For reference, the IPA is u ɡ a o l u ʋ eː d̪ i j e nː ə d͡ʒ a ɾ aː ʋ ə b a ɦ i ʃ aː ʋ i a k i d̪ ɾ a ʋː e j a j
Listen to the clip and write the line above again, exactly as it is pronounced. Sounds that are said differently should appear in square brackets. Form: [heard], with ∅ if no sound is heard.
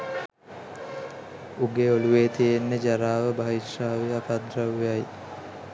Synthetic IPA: u ɡ [e] o l u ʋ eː [t̪] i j e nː ə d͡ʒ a ɾ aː ʋ ə b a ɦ i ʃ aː ʋ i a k [a] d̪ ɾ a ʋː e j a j